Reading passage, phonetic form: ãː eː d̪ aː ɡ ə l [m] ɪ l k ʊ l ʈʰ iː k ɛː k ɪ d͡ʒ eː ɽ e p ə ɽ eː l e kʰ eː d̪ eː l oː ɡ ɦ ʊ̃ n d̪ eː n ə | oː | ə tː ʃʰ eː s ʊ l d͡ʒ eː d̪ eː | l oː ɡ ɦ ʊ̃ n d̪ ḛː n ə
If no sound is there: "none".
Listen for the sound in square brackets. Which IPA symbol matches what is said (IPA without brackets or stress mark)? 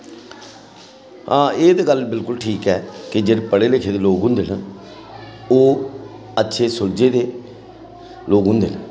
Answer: b